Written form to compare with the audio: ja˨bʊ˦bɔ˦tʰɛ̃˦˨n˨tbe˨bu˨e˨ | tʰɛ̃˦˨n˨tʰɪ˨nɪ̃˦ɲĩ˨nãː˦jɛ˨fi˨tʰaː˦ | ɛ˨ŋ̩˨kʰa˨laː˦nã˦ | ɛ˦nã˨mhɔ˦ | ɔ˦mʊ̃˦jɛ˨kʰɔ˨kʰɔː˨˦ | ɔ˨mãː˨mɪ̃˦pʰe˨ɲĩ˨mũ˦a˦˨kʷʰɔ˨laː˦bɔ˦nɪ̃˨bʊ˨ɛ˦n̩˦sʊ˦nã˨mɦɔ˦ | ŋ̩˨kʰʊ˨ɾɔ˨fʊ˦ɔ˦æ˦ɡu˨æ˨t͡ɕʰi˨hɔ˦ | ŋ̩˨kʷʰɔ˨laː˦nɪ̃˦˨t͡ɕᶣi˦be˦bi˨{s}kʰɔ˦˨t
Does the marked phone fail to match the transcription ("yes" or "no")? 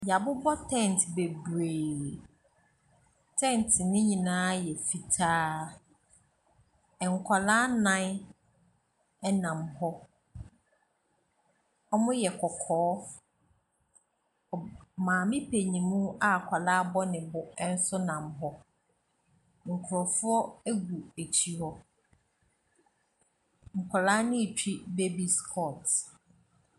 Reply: no